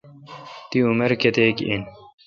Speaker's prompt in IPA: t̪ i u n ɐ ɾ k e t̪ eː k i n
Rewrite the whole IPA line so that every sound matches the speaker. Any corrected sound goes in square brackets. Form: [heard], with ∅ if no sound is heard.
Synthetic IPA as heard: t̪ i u [m] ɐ ɾ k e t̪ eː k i n